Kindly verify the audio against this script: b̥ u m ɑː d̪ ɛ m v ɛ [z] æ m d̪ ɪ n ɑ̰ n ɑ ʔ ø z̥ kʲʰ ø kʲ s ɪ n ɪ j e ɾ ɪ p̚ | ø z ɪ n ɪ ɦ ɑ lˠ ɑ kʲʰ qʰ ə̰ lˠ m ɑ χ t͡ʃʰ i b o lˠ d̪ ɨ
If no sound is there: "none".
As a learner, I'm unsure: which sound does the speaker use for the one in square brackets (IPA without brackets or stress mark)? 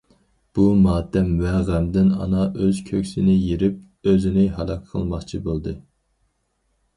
ʁ